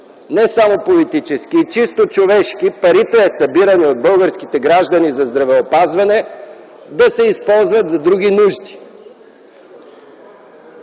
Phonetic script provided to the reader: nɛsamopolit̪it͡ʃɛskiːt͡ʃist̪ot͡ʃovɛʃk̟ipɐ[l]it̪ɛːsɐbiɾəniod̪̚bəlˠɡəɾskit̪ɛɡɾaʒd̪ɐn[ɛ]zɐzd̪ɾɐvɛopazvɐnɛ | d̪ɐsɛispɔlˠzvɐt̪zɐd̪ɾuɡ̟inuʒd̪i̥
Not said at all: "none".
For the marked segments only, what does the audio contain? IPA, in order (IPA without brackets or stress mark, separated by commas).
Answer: ɾ, i